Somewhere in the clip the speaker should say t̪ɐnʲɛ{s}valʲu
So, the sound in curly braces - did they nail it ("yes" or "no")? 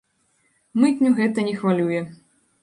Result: no